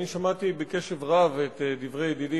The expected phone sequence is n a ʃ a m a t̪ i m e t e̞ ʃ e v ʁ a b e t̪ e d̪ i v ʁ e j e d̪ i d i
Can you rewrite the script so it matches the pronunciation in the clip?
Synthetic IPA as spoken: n i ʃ a m a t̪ i b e k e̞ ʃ e v ʁ a v e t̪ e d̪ i v ʁ e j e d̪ i d i